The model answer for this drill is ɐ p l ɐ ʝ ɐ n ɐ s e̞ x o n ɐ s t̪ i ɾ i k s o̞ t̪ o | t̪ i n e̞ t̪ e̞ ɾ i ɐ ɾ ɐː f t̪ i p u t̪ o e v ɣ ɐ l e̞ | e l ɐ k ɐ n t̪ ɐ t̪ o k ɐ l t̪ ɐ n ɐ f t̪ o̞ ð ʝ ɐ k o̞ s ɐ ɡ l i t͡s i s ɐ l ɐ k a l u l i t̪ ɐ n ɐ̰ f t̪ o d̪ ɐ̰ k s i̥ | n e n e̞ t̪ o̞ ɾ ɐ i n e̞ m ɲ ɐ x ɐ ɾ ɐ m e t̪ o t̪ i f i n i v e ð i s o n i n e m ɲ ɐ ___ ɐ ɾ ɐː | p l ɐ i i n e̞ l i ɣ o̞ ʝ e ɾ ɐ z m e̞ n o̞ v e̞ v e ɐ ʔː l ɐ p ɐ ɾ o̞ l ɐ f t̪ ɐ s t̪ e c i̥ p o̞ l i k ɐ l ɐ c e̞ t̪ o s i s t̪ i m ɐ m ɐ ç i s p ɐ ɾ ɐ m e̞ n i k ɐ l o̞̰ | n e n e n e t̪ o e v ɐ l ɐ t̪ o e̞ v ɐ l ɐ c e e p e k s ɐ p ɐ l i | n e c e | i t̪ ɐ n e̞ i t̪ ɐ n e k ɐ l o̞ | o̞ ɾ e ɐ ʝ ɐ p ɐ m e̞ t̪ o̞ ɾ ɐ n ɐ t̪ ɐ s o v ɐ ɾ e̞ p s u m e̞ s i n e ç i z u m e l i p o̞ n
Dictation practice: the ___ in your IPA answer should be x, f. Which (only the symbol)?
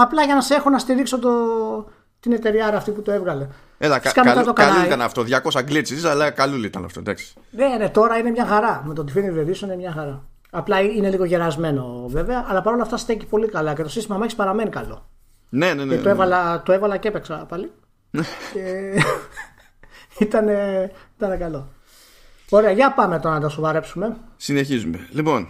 x